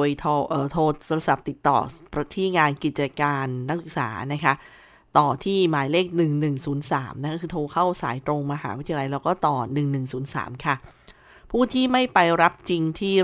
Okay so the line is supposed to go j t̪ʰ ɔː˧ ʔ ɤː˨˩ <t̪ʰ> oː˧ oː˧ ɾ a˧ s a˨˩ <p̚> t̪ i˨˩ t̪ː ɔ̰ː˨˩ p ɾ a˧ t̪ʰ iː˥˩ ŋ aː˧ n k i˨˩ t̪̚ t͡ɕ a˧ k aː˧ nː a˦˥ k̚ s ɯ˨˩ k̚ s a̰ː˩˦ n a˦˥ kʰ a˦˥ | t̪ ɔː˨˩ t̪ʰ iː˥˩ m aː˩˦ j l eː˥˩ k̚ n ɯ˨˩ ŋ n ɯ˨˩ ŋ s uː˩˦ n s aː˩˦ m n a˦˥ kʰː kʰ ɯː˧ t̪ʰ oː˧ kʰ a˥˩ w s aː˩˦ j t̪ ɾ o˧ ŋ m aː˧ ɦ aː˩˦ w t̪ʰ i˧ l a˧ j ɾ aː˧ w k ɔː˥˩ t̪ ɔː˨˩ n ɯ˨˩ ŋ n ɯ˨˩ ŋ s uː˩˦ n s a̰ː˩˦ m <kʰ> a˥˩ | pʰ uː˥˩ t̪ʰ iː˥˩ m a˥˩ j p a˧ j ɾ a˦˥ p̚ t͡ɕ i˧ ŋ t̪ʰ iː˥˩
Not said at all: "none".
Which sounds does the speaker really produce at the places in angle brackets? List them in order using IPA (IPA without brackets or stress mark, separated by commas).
t̪ʰ, p̚, kʰ